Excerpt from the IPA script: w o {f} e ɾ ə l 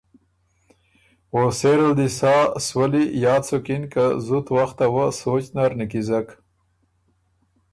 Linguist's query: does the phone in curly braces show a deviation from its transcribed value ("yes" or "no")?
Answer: yes